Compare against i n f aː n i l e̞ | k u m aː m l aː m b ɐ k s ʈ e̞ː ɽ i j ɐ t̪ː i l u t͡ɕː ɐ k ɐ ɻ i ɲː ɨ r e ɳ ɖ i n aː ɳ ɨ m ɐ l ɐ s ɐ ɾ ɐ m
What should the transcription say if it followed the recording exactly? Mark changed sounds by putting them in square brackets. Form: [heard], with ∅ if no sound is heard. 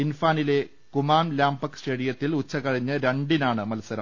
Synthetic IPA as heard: i n f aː n i l e̞ | k u m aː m l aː m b ɐ k s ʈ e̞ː ɽ i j ɐ t̪ː i l u t͡ɕː ɐ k ɐ ɻ i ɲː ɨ [ɾ] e ɳ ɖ i n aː ɳ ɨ m ɐ l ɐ s ɐ ɾ ɐ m